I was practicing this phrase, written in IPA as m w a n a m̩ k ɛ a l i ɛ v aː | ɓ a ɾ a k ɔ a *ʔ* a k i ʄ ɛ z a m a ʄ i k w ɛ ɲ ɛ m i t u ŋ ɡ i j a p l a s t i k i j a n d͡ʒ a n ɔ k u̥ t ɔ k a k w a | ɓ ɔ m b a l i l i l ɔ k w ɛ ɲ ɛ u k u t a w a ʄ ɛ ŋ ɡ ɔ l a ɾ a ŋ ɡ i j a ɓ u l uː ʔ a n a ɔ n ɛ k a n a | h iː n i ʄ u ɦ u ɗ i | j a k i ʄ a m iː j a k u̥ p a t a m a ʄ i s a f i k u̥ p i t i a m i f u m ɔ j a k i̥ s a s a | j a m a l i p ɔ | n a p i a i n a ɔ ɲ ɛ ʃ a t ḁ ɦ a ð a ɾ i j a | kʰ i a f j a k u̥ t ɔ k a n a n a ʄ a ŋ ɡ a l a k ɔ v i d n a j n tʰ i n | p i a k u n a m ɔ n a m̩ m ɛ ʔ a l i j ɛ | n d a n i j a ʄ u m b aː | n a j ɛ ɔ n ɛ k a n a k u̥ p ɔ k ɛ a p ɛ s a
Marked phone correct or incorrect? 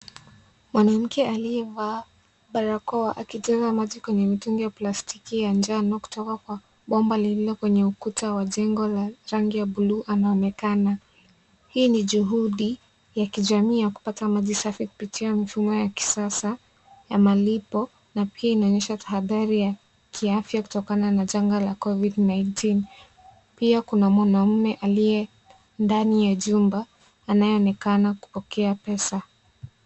correct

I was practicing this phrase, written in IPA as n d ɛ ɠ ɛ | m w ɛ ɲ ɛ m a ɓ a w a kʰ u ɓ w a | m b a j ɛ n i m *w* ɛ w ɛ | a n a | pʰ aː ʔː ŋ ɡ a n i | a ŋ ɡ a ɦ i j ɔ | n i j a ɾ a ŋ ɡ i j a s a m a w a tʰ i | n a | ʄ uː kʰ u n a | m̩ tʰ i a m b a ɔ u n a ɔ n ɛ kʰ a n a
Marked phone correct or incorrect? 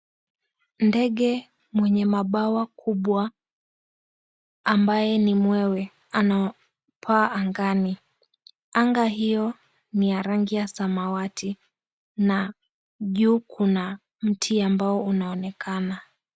correct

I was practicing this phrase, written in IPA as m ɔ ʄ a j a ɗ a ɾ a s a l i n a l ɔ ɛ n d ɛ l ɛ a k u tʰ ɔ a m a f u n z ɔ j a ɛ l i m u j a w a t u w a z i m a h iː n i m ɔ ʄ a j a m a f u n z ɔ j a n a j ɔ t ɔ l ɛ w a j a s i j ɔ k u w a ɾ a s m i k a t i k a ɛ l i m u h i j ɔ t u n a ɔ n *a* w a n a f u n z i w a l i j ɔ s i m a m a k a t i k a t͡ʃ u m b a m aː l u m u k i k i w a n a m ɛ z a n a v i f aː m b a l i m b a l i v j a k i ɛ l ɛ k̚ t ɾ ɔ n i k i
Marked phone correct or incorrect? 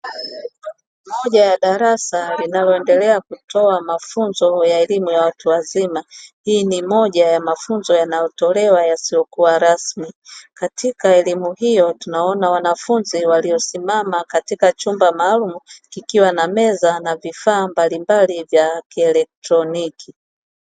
correct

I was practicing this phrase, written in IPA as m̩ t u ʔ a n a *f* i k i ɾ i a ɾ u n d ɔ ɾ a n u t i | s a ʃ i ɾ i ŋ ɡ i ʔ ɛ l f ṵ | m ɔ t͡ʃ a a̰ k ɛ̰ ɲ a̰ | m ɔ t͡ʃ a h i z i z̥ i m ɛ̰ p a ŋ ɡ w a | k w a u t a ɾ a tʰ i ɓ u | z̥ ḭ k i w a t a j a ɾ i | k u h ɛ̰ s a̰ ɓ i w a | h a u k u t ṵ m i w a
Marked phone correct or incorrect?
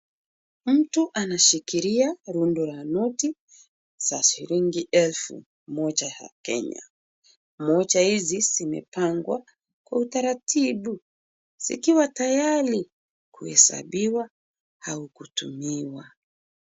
incorrect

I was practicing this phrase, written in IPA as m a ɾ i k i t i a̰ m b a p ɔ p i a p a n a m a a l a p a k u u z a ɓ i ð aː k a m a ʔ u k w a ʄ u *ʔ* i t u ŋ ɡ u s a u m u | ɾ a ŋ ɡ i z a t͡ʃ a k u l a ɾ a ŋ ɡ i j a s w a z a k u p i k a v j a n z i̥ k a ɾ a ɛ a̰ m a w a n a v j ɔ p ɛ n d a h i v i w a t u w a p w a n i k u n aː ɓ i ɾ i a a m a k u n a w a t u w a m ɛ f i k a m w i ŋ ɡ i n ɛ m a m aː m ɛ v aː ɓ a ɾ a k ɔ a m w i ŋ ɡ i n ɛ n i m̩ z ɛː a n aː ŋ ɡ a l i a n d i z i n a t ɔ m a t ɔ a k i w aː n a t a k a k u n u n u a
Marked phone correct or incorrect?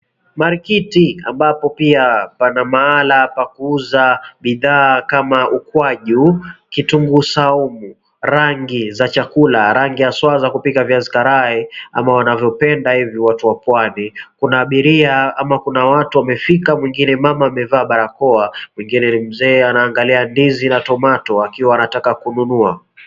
incorrect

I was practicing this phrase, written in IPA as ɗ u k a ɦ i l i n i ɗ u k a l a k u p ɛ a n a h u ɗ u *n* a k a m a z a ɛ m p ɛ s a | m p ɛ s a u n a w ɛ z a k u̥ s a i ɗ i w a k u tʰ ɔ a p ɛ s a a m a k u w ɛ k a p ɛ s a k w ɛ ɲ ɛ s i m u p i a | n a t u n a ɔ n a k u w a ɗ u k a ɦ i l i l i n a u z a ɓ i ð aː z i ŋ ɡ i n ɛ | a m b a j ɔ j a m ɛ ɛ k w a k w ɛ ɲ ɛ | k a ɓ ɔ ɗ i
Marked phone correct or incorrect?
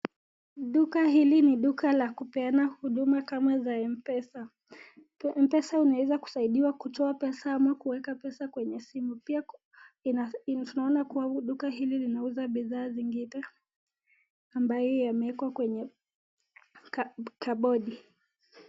incorrect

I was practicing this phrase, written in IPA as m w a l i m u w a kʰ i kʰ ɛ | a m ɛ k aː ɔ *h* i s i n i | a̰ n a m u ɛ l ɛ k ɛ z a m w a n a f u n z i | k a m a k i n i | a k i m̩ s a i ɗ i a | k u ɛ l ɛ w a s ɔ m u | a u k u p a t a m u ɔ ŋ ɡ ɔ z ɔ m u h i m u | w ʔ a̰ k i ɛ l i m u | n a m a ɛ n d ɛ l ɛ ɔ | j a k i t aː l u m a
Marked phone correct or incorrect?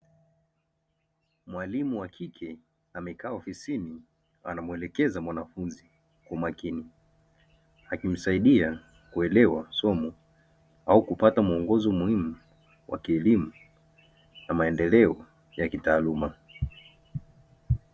incorrect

